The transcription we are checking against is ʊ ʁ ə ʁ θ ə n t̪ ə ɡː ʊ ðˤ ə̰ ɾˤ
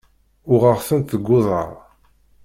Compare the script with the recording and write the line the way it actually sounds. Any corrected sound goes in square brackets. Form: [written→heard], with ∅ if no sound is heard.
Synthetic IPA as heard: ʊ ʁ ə ʁ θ ə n t̪ ə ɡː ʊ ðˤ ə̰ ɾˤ

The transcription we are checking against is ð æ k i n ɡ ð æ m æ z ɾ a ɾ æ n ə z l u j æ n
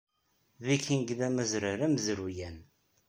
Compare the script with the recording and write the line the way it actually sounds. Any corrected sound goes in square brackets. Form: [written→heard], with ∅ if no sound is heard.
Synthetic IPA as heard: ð [æ→i] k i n ɡ ð æ m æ z ɾ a ɾ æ [n→m] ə z [l→ɾ] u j æ n

